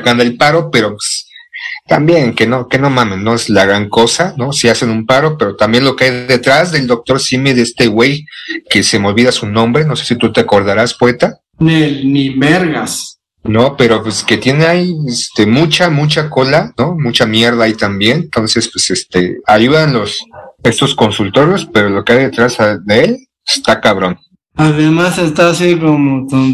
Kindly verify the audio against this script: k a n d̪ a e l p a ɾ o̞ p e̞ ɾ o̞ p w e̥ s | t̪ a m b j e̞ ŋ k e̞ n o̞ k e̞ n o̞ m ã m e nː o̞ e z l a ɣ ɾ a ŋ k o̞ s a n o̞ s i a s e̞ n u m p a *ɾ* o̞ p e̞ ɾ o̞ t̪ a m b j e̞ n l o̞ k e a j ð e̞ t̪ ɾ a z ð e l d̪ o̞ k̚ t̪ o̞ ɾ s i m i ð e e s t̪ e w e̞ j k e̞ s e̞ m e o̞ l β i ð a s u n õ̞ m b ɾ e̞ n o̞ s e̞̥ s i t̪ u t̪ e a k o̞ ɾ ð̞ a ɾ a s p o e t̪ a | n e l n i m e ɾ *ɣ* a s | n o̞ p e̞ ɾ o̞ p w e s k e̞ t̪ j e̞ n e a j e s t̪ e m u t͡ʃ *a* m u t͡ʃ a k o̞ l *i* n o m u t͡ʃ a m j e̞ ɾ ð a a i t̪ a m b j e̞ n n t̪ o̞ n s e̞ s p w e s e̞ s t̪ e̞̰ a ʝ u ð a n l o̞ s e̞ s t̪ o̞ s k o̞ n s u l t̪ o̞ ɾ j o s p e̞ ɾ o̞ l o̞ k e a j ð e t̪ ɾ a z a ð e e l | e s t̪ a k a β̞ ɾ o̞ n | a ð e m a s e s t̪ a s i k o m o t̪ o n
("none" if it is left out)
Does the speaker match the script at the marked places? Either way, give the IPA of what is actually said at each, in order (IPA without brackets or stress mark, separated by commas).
ɾ, ɣ, a, a